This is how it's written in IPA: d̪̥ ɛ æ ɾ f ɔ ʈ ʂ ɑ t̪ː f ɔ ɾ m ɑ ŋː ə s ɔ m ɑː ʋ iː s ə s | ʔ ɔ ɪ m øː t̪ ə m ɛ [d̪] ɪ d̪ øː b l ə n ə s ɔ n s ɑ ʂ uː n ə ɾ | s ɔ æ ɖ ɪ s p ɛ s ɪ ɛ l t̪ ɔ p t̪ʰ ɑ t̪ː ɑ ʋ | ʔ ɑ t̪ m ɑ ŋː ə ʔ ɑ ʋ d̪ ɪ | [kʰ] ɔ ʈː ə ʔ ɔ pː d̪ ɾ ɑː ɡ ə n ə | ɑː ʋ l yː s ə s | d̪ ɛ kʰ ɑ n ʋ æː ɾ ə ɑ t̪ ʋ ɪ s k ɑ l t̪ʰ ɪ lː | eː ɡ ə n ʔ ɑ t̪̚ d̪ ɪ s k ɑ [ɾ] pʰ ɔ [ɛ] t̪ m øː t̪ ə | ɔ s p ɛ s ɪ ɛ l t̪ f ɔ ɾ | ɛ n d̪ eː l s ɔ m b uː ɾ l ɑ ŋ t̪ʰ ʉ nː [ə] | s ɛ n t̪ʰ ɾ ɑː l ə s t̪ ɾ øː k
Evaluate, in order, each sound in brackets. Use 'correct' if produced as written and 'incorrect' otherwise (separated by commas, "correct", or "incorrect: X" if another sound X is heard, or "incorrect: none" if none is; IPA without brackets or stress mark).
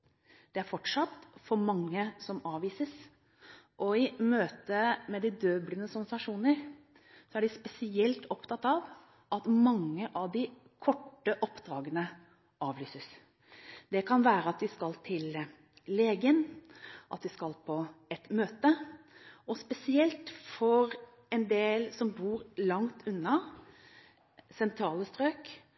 correct, correct, incorrect: l, correct, incorrect: ɑ